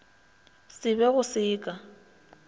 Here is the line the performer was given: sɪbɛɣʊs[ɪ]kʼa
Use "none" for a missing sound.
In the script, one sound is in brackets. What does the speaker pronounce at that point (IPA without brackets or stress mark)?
ɪː